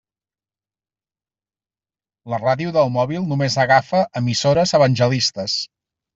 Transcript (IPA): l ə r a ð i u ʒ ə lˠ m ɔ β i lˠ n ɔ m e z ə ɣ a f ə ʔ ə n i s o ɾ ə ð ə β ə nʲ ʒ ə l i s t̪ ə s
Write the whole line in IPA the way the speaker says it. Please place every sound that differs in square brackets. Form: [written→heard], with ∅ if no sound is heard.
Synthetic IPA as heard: l ə r a ð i u [ʒ→ð] ə lˠ m ɔ β i lˠ n [ɔ→u] m e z ə ɣ a f ə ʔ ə [n→m] i s o ɾ ə [ð→z] ə β ə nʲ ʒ ə l i s t̪ ə s